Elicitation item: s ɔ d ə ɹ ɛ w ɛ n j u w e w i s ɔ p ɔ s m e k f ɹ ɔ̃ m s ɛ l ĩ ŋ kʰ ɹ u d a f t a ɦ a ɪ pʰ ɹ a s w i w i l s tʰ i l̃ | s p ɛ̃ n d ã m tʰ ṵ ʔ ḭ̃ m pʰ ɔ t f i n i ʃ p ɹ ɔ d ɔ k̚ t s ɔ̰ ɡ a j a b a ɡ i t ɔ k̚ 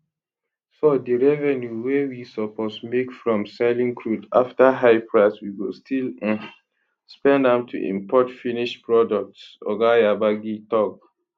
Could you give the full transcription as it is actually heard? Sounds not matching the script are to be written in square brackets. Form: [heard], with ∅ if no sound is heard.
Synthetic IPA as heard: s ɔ d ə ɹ ɛ [v] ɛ n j u w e w i s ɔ p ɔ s m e k f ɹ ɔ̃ m s ɛ l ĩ ŋ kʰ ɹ u d a f t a ɦ a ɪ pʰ ɹ a s w i w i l s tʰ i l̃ | s p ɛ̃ n d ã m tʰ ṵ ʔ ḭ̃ m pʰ ɔ t f i n i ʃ p ɹ ɔ d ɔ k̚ t s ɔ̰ ɡ a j a b a ɡ i t ɔ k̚